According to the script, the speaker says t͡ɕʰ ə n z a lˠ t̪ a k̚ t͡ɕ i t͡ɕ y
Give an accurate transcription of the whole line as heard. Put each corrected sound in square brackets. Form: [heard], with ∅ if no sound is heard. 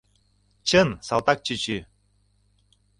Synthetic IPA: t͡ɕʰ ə n [s] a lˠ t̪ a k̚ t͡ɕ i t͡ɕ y